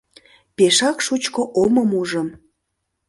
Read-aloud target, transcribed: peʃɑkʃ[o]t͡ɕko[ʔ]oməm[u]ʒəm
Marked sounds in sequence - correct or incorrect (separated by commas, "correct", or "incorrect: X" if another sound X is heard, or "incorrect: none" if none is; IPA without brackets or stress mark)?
incorrect: u, correct, correct